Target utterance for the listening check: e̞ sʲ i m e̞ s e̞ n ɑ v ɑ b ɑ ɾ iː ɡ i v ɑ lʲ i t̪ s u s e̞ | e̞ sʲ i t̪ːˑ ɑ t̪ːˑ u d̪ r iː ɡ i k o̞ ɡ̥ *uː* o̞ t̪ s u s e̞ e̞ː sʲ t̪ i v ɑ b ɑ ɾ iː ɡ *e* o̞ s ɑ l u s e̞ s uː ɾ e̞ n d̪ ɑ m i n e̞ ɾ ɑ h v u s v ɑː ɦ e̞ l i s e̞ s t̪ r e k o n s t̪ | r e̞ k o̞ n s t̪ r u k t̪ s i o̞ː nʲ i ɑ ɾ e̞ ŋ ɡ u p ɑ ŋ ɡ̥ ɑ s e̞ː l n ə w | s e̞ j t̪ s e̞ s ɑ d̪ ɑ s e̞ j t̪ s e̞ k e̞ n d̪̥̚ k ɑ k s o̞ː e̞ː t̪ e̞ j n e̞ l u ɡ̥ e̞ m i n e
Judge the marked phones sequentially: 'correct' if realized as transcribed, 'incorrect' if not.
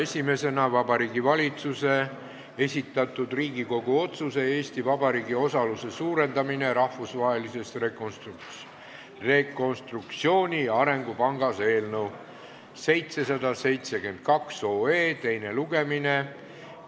incorrect: u, incorrect: i

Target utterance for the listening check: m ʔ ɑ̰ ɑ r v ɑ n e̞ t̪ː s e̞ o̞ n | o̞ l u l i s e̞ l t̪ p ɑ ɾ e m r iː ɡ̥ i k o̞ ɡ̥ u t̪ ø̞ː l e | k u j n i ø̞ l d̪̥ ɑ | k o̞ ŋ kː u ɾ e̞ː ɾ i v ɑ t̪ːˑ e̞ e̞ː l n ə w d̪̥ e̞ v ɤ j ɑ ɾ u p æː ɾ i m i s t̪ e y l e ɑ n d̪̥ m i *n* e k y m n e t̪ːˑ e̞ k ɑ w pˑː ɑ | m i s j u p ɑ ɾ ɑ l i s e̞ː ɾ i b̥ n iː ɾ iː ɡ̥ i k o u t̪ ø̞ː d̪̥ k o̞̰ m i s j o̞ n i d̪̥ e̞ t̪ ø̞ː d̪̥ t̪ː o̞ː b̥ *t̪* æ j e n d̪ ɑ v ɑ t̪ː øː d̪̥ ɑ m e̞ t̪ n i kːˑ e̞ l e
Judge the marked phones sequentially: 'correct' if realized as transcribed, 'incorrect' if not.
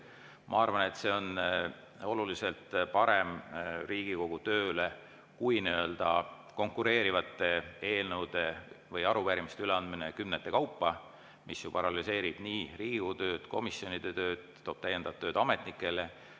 correct, correct

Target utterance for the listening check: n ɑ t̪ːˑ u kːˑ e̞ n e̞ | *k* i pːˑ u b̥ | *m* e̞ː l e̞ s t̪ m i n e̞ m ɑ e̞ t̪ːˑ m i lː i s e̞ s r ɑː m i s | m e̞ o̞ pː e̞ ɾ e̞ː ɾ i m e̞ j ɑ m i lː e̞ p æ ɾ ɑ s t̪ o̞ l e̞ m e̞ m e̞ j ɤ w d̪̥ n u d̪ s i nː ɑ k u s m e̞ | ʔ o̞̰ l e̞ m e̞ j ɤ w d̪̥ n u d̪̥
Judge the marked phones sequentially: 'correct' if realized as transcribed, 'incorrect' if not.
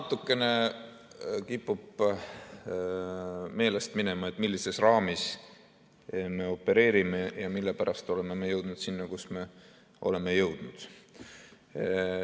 correct, correct

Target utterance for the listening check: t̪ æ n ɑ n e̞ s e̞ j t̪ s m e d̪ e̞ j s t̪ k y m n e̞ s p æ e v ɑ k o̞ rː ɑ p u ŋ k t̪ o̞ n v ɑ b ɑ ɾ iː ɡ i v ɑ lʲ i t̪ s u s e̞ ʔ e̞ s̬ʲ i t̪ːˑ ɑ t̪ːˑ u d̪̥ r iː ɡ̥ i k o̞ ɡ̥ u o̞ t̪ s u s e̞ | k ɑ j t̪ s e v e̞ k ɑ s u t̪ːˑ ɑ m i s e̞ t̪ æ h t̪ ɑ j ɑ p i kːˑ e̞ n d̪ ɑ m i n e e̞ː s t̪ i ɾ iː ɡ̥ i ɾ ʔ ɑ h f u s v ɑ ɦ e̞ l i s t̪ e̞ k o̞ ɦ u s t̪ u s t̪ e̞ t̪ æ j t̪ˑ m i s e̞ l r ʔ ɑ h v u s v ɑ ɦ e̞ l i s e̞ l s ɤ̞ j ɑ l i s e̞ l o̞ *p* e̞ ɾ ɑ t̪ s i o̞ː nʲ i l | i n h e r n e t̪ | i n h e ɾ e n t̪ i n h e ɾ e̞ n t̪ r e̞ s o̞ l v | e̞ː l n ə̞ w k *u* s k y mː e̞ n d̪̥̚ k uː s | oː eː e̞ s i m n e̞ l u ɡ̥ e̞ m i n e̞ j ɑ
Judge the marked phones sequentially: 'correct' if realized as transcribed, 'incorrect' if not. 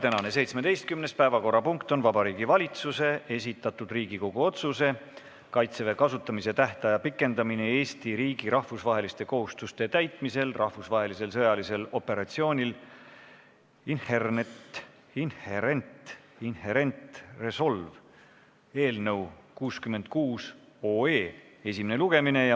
correct, incorrect: uː

